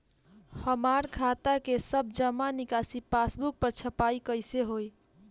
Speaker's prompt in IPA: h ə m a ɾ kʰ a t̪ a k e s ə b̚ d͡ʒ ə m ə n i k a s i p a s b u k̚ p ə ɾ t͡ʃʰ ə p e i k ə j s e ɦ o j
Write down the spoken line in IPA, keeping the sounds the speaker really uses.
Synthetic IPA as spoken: h ə m a ɾ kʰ a t̪ a k e s ə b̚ d͡ʒ ə m a n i k a s i p a s b u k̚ p ə ɾ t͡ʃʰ ə p a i k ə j s e ɦ o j